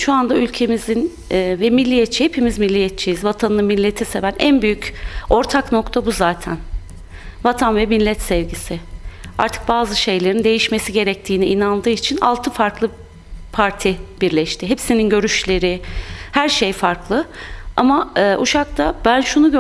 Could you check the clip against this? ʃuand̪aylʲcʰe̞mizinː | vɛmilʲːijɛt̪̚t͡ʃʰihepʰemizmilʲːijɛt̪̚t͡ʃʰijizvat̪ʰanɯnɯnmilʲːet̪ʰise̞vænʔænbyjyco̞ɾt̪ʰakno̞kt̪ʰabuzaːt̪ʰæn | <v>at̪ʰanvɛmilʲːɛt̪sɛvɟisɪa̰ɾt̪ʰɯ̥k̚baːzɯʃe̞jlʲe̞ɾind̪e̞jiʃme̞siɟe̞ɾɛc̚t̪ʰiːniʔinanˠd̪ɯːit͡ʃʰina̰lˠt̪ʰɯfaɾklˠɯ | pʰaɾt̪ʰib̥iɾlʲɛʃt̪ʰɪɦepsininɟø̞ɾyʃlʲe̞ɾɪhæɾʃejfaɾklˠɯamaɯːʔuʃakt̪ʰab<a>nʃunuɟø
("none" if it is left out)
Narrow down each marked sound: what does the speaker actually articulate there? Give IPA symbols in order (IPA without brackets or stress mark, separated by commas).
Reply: v, æ